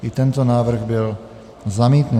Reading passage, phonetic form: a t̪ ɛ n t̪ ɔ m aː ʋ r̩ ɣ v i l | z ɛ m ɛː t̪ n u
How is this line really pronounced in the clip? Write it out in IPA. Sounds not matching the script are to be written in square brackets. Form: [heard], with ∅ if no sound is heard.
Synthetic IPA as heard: [i] t̪ ɛ n t̪ ɔ [n] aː ʋ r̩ ɣ [b] i l | z [a] m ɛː t̪ n u